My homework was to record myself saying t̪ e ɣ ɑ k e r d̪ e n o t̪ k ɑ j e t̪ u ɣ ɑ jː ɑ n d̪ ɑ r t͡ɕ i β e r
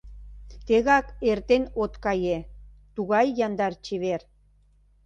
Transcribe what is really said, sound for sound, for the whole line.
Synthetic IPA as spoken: t̪ e ɣ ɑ k e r t̪ e n o t̪ k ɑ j e t̪ u ɣ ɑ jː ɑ n d̪ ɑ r t͡ɕ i β e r